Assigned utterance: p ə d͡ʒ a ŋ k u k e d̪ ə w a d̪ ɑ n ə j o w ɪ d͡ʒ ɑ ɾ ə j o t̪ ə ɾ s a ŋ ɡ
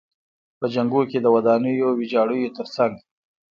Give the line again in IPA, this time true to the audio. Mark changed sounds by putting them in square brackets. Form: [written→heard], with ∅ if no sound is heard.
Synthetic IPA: p ə d͡ʒ a ŋ [k→ɡ] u k e d̪ ə w a d̪ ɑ n ə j o w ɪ d͡ʒ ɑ [ɾ→ɽ] ə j o t̪ ə ɾ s a ŋ ɡ